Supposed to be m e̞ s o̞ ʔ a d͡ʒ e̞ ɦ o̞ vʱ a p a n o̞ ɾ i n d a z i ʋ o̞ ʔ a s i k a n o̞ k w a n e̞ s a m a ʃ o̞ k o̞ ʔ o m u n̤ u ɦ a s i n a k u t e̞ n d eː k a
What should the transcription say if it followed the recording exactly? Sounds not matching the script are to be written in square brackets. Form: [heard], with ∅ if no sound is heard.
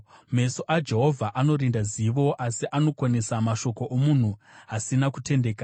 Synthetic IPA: m e̞ s o̞ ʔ a d͡ʒ e̞ ɦ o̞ vʱ a [ʔ] a n o̞ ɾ i n d a z i ʋ o̞ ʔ a s i [ʔ] a n o̞ k w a n e̞ s a m a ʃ o̞ k o̞ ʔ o m u n̤ u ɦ a s i n a k u t e̞ n d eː k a